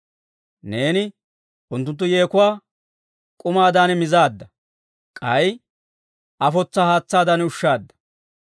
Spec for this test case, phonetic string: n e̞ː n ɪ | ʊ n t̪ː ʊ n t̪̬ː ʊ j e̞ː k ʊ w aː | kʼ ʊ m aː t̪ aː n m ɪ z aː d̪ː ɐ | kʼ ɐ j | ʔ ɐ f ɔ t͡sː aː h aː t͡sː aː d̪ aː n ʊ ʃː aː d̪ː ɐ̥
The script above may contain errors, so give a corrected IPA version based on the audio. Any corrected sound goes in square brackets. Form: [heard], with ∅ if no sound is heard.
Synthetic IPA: n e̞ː n ɪ | ʊ n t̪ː ʊ n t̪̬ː ʊ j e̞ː k ʊ w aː | kʼ ʊ m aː [d̪] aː n m ɪ z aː d̪ː ɐ | kʼ ɐ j | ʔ ɐ f ɔ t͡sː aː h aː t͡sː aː d̪ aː n ʊ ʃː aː d̪ː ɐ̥